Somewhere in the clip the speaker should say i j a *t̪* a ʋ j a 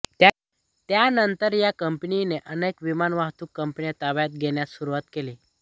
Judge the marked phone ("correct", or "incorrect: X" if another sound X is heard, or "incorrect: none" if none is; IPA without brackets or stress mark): correct